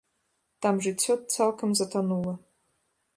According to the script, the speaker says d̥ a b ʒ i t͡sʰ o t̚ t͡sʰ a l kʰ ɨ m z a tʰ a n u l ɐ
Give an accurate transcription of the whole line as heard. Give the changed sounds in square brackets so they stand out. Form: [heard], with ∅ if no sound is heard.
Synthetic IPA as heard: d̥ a [m] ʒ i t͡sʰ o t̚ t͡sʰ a l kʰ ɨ m z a tʰ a n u l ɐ